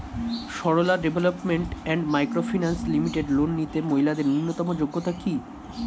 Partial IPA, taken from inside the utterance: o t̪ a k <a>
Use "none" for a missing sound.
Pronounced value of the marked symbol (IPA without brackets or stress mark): i